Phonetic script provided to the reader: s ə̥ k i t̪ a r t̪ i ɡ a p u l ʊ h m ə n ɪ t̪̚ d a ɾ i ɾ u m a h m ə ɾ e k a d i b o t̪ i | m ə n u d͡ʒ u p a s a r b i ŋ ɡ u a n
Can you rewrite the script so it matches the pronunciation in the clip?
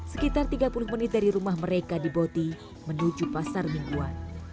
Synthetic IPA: s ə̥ k i t̪ a r t̪ i ɡ a p u l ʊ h m ə n ɪ t̪̚ d a ɾ i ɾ u m a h m ə ɾ e k a d i b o t̪ i | m ə n u d͡ʒ u p a s a r m i ŋ ɡ u a n